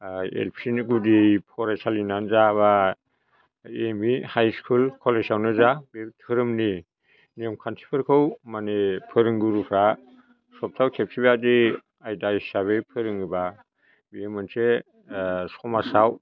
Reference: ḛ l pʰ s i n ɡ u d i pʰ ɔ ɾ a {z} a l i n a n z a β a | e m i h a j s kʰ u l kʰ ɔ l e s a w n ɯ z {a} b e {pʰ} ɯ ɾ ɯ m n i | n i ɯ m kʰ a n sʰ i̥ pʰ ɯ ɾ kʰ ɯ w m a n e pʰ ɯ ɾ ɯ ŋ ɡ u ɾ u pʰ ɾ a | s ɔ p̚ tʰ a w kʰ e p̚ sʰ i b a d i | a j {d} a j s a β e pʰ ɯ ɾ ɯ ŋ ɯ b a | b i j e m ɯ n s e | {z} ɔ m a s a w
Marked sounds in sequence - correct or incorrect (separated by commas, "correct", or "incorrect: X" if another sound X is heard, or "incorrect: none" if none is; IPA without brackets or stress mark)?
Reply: incorrect: s, correct, incorrect: tʰ, correct, incorrect: s